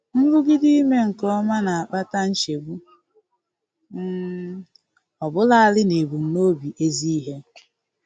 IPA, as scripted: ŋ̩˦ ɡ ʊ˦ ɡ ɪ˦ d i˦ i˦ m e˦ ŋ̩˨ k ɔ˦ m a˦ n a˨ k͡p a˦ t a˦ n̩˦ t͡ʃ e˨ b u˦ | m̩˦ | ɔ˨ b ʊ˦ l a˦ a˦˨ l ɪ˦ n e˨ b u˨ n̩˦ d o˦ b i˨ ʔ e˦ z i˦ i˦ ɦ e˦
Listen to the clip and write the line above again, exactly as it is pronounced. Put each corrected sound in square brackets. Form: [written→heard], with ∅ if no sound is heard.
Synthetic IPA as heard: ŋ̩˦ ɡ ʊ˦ ɡ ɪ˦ d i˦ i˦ m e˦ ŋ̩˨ k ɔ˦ m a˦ n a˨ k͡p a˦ t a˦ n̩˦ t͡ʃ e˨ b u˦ | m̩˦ | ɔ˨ b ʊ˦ l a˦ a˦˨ l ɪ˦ n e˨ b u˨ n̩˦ [d→n] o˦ b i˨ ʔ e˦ z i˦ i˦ ɦ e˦